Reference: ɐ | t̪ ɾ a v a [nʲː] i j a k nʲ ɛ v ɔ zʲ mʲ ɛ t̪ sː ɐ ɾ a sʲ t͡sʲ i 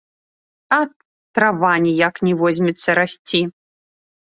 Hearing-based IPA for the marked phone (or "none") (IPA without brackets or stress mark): nʲ